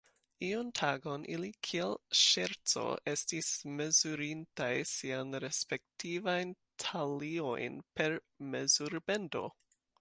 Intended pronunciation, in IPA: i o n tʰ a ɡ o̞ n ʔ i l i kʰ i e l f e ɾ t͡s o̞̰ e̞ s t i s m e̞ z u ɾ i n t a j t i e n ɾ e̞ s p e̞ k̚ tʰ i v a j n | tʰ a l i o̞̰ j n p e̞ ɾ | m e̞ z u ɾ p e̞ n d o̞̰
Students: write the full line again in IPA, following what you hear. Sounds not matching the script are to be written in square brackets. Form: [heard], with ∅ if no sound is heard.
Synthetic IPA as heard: i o n tʰ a ɡ o̞ n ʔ i l i kʰ i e l [ʃ] e ɾ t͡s o̞̰ e̞ s t i s m e̞ z u ɾ i n t a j [s] i [a] n ɾ e̞ s p e̞ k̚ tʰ i v a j n | tʰ a l i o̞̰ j n p e̞ ɾ | m e̞ z u ɾ [b] e̞ n d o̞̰